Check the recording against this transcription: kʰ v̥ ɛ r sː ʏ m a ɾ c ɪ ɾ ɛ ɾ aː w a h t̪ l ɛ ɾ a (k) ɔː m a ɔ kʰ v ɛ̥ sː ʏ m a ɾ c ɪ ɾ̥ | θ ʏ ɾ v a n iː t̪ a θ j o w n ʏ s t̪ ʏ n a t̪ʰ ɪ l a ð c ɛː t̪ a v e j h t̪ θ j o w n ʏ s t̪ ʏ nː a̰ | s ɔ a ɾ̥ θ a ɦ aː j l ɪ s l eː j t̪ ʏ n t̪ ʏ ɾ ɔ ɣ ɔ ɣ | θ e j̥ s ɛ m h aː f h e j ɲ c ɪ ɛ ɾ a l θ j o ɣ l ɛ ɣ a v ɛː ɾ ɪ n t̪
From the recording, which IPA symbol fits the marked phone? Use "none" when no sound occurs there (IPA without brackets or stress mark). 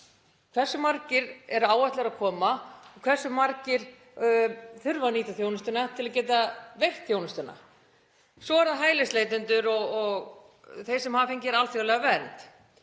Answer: kʰ